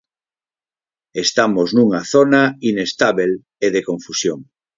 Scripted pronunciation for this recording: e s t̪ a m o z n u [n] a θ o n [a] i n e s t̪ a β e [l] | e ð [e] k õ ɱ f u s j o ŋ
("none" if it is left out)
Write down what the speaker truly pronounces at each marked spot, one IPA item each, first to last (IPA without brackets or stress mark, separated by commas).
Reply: ŋ, a, l, e